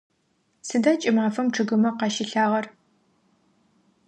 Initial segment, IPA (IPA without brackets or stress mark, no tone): s